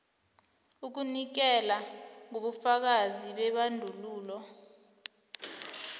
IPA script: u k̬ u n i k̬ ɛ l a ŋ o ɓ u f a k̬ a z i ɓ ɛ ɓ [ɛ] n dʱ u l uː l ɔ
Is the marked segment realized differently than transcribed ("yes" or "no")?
yes